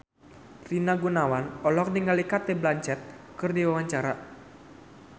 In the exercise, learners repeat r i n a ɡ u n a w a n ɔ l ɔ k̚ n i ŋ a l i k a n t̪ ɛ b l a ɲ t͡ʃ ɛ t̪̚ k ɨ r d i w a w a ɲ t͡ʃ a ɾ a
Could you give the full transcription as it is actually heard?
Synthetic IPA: r i n a ɡ u n a w a n ɔ l ɔ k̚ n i ŋ a l i k a t̪ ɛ b l a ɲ t͡ʃ ɛ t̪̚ k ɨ r d i w a w a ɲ t͡ʃ a ɾ a